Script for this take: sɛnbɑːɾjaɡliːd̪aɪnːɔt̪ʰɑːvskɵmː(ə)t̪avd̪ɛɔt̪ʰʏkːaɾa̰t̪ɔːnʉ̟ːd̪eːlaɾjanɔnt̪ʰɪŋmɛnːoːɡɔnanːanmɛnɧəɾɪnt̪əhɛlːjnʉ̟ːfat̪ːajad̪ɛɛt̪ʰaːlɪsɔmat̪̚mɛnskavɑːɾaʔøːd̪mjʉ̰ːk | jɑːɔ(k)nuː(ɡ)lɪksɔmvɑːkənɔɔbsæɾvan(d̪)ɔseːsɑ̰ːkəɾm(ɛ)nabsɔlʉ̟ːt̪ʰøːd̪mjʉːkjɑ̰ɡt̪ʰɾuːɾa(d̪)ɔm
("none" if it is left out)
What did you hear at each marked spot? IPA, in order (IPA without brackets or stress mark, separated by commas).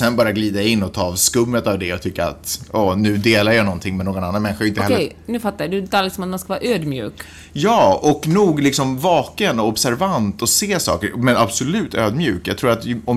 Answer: ə, k, ɡ, t̪, ɛ, t̪